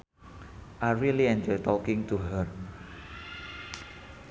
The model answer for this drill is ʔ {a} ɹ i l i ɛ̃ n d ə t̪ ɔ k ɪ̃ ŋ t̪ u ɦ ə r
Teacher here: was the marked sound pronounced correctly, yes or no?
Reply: yes